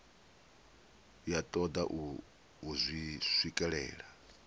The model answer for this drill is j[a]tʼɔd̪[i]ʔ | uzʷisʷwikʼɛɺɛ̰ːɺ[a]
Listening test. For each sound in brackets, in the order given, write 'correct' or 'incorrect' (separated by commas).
correct, incorrect, correct